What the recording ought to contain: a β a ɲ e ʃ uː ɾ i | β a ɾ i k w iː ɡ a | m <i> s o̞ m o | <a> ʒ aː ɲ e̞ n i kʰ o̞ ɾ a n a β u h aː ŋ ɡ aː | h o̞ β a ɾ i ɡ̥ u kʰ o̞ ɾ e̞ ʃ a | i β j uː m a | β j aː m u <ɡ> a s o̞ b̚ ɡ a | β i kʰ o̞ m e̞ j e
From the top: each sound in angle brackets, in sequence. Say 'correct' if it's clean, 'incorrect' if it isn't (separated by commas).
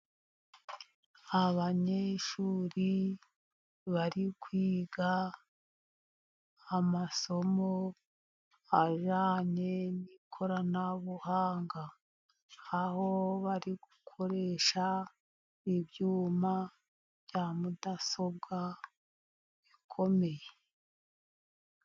incorrect, correct, incorrect